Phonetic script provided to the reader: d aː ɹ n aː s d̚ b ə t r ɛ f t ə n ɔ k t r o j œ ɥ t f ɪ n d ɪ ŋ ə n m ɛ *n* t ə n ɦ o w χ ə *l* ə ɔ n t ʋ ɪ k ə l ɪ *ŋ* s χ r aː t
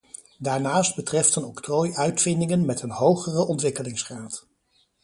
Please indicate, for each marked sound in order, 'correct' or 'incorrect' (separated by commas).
incorrect, incorrect, correct